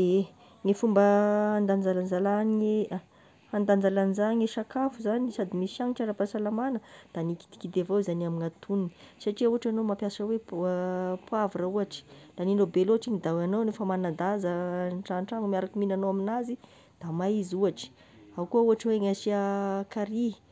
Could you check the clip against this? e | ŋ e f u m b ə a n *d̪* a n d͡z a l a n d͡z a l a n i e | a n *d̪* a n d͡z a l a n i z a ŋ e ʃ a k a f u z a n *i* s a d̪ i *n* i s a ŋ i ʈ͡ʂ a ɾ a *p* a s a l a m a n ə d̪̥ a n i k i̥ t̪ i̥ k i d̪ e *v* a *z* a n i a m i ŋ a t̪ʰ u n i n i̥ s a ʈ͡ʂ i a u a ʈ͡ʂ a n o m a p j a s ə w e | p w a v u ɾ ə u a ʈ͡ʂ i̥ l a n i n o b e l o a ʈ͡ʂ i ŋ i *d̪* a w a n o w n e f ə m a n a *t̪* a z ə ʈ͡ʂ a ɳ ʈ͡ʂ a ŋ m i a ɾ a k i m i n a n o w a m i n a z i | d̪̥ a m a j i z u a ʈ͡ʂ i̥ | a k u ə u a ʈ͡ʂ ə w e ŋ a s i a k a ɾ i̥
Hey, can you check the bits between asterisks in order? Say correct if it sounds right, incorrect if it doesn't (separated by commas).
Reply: correct, correct, correct, incorrect, correct, correct, correct, correct, incorrect